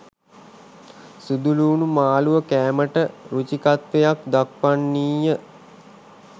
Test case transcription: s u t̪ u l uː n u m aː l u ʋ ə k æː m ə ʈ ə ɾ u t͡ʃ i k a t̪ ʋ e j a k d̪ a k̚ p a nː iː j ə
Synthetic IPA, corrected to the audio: s u d̪ u l uː n u m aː l u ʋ ə k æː m ə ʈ ə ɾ u t͡ʃ i k a t̪ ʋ e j a k d̪ a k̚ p a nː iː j ə